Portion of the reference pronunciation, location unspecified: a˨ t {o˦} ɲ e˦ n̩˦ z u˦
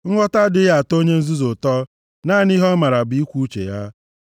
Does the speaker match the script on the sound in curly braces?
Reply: yes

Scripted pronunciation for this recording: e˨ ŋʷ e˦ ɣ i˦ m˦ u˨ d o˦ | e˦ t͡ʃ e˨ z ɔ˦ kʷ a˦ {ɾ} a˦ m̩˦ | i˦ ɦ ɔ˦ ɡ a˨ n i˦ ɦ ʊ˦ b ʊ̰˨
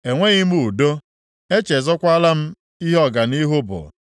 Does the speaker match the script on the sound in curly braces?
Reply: no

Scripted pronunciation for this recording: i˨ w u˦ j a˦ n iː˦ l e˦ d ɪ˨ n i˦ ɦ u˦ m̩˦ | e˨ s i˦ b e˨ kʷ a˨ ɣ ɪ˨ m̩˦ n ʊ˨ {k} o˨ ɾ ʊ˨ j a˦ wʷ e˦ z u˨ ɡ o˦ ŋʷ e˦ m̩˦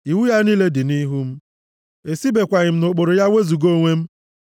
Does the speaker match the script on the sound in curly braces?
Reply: no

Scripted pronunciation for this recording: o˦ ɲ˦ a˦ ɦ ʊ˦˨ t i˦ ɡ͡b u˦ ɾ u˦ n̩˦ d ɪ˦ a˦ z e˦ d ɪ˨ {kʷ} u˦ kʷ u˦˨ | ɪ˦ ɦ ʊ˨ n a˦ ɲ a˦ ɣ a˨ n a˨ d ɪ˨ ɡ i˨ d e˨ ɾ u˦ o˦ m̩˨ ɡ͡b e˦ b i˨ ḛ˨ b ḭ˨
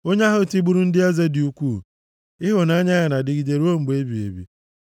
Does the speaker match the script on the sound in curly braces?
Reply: no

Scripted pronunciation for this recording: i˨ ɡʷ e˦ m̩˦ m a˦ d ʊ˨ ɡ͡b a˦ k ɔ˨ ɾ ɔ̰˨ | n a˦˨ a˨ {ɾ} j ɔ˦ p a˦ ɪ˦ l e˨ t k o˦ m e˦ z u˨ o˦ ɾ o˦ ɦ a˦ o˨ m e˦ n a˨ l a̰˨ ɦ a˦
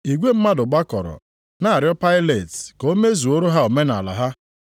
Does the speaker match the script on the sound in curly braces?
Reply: yes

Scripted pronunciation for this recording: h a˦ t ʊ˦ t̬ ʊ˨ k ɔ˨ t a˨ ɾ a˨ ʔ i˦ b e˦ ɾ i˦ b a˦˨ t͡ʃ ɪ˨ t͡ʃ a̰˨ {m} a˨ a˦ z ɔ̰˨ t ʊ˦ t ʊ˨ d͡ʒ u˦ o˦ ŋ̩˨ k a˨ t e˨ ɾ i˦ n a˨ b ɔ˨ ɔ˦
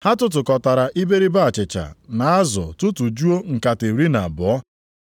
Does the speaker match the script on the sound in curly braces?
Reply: no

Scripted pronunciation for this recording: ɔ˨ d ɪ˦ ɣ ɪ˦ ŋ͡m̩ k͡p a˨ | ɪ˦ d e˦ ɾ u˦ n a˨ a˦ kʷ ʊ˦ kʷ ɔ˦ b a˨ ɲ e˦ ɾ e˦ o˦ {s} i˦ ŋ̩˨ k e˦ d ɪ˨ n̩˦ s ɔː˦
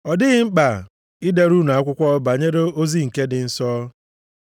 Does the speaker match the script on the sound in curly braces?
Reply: no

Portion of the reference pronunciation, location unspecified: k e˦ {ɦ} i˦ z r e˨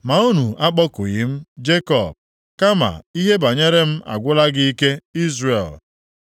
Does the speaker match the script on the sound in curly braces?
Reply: no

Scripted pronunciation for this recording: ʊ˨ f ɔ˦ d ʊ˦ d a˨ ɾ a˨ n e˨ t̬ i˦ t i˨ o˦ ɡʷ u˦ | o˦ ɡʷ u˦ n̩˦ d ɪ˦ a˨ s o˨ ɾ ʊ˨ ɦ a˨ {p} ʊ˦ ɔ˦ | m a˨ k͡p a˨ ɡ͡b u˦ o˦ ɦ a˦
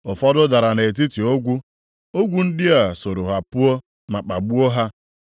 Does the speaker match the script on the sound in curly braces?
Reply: yes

